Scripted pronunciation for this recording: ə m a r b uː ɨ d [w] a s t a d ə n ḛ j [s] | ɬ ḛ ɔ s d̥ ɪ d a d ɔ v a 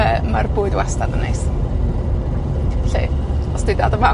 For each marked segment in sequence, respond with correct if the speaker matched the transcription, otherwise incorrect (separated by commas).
correct, correct